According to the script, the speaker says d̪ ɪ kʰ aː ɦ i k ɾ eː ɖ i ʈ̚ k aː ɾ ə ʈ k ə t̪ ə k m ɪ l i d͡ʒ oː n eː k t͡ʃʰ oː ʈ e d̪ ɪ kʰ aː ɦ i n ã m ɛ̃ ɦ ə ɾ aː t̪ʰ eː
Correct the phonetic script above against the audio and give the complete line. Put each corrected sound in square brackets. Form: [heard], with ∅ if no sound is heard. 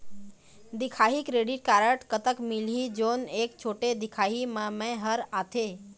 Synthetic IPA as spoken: d̪ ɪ kʰ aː ɦ i k ɾ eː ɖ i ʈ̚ k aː ɾ ə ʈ k ə t̪ ə k m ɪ l i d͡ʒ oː n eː k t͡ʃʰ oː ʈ e d̪ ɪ kʰ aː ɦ i [m] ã m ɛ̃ ɦ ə ɾ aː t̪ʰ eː